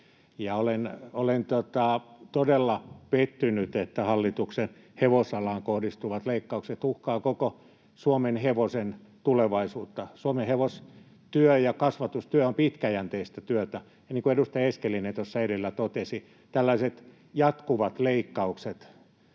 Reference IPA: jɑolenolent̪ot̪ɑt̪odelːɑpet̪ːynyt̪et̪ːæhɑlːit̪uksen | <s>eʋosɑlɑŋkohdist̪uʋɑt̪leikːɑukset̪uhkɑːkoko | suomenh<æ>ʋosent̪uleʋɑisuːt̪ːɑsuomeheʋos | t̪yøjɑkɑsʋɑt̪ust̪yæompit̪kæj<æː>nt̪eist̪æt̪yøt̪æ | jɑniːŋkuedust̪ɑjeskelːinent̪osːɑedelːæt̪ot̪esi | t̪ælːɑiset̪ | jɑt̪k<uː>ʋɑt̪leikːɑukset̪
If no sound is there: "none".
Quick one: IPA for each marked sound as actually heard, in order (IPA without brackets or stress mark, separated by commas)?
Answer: h, e, æ, u